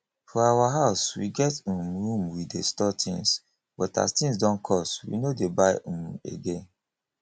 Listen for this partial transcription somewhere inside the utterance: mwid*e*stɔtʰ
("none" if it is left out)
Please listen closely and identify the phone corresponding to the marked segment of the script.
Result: e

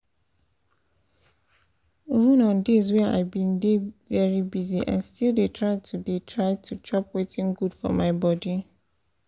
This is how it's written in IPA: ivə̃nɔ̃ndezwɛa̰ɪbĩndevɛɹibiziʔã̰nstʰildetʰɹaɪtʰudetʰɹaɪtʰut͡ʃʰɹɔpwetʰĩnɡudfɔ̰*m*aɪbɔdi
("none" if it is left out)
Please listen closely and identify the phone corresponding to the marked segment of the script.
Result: m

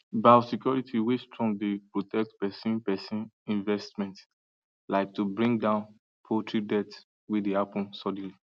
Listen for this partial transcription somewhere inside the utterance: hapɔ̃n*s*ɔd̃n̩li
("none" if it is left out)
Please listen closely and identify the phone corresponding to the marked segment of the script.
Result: s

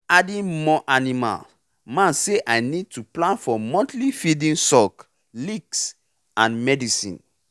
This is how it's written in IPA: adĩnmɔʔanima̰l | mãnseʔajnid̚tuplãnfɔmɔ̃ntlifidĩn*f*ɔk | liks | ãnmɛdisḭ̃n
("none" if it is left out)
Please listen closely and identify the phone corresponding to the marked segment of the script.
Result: s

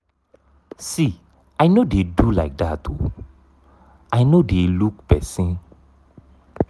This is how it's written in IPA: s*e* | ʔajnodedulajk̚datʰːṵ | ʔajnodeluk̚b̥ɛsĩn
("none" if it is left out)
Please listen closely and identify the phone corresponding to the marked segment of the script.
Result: i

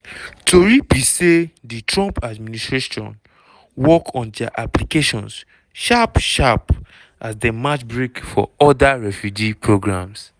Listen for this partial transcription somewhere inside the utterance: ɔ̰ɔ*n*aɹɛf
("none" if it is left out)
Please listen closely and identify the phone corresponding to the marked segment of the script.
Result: d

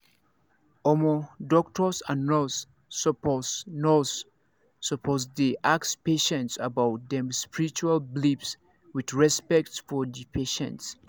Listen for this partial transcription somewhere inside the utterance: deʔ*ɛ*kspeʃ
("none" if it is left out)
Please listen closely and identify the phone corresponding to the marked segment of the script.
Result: a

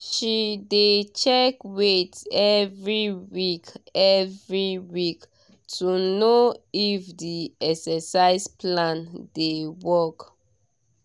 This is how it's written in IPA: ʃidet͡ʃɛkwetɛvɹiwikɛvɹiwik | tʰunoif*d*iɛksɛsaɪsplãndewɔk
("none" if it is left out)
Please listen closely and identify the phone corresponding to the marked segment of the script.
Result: d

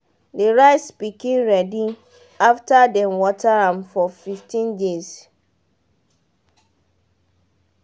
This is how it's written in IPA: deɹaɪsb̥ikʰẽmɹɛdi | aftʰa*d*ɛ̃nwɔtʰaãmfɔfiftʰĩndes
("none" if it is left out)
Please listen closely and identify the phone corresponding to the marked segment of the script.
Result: d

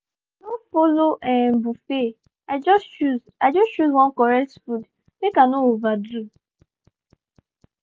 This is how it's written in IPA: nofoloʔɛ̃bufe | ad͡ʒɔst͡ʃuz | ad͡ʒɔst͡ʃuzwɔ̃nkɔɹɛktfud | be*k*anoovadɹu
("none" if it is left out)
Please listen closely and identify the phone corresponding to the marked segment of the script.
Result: k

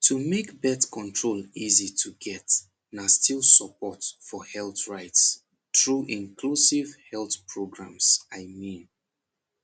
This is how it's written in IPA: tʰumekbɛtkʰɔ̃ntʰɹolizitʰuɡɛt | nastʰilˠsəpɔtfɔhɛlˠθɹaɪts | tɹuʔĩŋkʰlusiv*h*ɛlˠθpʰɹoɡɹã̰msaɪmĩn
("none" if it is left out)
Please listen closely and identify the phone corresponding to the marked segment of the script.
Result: h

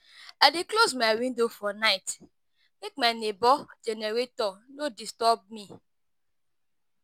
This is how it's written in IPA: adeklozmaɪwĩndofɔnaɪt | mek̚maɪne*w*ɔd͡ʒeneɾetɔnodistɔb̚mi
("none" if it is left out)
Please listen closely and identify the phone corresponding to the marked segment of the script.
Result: b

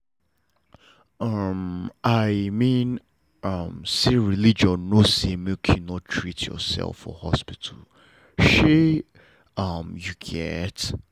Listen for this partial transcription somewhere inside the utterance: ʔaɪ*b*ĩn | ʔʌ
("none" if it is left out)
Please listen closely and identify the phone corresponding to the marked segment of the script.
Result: m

